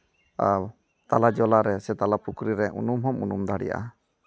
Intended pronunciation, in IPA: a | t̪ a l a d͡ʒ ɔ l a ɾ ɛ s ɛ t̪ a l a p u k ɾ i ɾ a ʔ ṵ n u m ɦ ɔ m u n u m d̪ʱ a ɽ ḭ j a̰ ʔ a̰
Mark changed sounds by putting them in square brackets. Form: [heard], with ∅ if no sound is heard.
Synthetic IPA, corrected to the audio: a | t̪ a l a d͡ʒ ɔ l a ɾ ɛ s ɛ t̪ a l a p u k ɾ i ɾ [ɛ] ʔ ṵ n u m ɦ ɔ m u n u m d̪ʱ a ɽ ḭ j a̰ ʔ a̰